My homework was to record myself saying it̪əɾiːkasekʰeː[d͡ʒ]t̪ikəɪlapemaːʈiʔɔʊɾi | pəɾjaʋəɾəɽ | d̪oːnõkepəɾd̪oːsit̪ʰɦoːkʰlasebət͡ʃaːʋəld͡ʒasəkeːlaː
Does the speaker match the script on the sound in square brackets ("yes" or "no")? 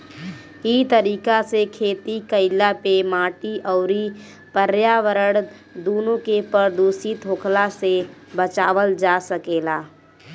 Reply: no